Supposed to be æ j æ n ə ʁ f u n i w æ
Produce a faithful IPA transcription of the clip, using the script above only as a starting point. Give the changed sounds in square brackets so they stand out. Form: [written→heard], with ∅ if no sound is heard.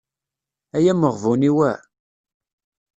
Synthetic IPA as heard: æ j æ [n→m] ə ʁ [f→v] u n i w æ